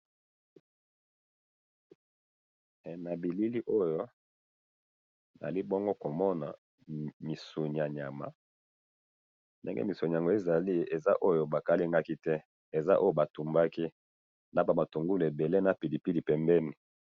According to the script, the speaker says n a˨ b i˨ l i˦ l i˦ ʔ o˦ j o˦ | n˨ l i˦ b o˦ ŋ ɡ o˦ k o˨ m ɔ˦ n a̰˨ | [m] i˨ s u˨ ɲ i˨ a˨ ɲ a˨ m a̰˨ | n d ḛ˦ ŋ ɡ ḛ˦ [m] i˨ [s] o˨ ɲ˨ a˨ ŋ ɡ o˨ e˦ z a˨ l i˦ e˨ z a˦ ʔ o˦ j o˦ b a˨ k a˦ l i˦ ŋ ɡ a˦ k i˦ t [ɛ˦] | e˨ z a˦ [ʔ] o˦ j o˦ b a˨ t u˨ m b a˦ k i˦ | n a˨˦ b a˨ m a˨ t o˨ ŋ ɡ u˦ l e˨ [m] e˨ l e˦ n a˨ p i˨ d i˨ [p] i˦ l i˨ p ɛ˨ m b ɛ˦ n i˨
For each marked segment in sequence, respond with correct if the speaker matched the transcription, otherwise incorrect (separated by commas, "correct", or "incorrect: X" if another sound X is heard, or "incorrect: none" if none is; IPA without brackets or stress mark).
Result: correct, correct, correct, correct, correct, incorrect: b, correct